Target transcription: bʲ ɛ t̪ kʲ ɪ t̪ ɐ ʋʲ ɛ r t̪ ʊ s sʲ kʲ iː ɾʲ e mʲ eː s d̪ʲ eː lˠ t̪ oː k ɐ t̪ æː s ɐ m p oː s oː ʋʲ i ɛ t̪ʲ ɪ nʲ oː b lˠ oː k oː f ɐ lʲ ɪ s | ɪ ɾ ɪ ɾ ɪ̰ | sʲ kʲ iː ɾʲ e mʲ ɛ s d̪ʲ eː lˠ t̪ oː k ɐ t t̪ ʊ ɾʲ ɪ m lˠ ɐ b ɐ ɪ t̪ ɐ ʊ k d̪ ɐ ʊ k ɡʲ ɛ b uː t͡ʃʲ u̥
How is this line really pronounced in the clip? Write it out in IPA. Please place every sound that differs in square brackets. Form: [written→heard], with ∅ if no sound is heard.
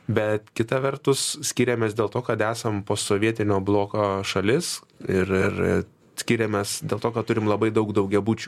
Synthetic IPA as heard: bʲ ɛ t̪ kʲ ɪ t̪ ɐ ʋʲ ɛ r t̪ ʊ s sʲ kʲ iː ɾʲ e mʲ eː s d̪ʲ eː lˠ t̪ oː k ɐ t̪ æː s ɐ m p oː s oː ʋʲ i ɛ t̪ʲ ɪ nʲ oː b lˠ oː k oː [f→ʃ] ɐ lʲ ɪ s | ɪ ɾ ɪ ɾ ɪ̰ | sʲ kʲ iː ɾʲ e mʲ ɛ s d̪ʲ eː lˠ t̪ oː k ɐ t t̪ ʊ ɾʲ ɪ m lˠ ɐ b ɐ ɪ [t̪→d̪] ɐ ʊ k d̪ ɐ ʊ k ɡʲ ɛ b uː t͡ʃʲ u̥